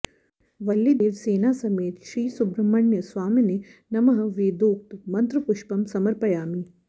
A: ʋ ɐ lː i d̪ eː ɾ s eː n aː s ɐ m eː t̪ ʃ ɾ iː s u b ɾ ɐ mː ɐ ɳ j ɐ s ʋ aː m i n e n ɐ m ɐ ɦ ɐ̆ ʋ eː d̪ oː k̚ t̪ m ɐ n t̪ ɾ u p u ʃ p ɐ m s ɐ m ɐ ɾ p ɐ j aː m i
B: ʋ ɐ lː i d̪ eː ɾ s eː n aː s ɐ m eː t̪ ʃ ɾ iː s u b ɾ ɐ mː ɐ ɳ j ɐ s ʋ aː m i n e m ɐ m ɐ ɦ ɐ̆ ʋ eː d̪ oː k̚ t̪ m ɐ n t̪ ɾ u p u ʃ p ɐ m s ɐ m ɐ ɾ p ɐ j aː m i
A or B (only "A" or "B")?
A